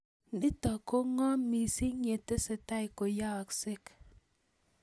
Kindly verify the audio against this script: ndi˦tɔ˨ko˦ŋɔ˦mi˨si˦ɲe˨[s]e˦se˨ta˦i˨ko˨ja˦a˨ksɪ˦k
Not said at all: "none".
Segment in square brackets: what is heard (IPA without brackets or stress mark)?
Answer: t